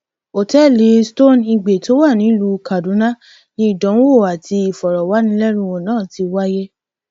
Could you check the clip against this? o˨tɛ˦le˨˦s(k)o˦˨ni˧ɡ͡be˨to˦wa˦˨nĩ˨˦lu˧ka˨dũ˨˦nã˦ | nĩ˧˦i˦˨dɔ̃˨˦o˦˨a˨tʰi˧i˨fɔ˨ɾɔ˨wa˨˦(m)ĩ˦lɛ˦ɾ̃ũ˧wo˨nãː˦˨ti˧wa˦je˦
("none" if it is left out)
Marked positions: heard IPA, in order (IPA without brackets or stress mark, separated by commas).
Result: t, n